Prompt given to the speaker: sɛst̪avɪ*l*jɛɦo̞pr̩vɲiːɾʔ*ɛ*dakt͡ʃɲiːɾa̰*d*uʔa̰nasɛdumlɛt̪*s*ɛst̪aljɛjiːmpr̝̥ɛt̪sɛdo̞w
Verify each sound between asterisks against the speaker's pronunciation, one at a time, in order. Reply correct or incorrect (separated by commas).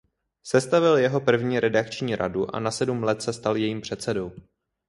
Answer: correct, correct, correct, correct